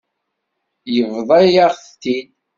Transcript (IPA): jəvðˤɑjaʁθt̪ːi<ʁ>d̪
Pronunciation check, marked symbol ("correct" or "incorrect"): incorrect